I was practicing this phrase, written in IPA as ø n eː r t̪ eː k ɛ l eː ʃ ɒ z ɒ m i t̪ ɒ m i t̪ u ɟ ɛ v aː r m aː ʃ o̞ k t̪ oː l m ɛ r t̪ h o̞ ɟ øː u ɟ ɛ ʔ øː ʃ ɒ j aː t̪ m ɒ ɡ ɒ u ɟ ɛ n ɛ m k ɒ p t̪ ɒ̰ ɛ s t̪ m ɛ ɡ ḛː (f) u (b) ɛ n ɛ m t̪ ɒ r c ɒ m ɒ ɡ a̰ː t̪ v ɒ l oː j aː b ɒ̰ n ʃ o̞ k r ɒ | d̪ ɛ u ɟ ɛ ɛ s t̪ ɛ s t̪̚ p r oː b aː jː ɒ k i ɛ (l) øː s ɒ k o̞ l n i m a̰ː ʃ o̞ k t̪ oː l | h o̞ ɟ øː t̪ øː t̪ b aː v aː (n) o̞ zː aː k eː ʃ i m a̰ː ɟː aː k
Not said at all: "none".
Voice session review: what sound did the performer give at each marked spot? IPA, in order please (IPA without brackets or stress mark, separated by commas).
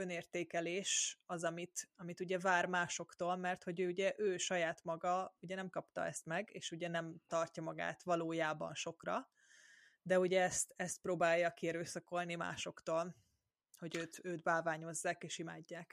ʃ, ɟ, ɾ, ɲ